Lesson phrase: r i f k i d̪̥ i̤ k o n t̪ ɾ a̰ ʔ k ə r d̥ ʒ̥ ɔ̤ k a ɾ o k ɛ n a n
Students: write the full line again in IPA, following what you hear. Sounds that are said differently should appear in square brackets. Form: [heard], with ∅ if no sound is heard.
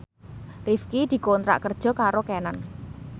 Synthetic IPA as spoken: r i f k i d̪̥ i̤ k o n t̪ ɾ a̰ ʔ k ə r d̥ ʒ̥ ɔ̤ k a ɾ o k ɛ n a n